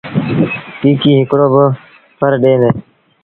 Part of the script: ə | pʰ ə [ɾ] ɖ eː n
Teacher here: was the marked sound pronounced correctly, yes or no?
yes